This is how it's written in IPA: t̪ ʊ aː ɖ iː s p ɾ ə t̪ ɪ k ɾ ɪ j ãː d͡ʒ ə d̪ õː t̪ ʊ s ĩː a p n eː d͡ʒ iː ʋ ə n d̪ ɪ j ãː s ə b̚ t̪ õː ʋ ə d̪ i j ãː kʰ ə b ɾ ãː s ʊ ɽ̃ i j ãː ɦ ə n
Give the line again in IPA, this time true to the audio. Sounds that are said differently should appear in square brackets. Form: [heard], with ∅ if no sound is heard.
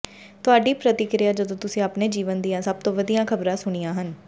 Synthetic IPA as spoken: t̪ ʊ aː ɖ iː [∅] p ɾ ə t̪ ɪ k ɾ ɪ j [aː] d͡ʒ ə d̪ õː t̪ ʊ s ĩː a p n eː d͡ʒ iː ʋ ə n d̪ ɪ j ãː s ə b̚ t̪ õː ʋ ə d̪ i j ãː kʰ ə b ɾ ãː s ʊ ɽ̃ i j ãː ɦ ə n